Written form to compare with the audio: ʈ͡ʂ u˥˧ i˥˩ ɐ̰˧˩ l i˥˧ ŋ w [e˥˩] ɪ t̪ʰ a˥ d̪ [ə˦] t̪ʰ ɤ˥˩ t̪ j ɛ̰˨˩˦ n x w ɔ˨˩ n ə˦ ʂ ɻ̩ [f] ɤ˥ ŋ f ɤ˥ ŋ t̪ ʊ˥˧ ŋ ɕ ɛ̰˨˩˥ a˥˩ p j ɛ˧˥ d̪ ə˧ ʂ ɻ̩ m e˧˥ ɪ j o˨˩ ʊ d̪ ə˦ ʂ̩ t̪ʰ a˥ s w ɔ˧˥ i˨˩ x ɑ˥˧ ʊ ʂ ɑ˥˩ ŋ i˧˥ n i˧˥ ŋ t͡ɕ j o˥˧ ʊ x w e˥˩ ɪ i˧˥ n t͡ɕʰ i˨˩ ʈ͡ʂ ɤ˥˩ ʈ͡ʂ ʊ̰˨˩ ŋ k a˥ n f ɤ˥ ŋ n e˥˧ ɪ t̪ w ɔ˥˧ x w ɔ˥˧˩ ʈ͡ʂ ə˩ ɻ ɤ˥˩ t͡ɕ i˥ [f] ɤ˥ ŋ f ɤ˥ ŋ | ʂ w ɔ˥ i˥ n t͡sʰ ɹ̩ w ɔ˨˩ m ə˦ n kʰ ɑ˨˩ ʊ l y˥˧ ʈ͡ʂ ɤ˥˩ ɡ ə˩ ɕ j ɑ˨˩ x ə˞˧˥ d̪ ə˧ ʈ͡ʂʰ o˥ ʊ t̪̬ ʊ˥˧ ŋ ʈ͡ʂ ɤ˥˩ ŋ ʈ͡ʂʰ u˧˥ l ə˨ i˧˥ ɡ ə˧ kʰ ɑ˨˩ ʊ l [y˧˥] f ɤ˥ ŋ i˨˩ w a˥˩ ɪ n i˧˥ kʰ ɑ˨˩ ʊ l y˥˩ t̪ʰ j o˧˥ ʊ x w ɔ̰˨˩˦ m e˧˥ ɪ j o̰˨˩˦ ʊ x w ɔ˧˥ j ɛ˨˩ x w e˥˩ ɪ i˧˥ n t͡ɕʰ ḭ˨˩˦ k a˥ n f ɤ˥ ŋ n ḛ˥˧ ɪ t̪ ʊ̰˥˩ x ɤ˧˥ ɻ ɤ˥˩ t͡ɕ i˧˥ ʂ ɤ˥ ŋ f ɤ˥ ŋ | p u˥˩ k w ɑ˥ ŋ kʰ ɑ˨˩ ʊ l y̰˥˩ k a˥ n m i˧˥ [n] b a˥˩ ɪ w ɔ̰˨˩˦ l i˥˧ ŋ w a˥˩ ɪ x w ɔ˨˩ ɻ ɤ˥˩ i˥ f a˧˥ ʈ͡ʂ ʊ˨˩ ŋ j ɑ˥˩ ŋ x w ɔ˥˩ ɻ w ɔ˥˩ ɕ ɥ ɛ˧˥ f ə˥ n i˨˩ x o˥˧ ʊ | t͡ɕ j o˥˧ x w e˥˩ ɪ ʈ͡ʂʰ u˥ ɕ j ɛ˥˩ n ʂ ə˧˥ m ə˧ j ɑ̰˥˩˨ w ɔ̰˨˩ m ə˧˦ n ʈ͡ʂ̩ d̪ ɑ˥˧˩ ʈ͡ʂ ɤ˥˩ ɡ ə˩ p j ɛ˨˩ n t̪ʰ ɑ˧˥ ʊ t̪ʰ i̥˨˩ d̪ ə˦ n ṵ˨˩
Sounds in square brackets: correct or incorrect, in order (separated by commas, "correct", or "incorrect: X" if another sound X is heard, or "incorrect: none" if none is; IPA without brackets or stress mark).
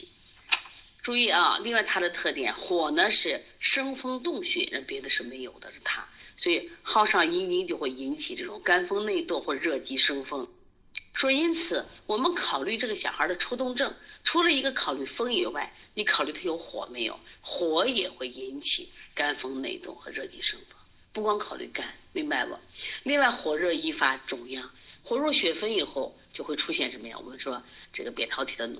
incorrect: a˥˩, incorrect: ə˨, incorrect: ʂ, incorrect: ʂ, incorrect: y˥˩, incorrect: ŋ